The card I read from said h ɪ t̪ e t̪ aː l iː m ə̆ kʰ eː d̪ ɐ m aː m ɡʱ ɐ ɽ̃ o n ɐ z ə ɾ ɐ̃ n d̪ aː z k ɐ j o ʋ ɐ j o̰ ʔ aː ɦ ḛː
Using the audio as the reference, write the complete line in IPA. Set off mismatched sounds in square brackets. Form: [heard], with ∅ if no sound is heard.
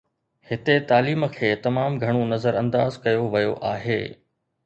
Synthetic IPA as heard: h ɪ t̪ e t̪ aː l iː m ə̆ kʰ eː [t̪] ɐ m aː m ɡʱ ɐ ɽ̃ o n ɐ z ə ɾ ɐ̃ n d̪ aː z k ɐ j o ʋ ɐ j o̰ ʔ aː ɦ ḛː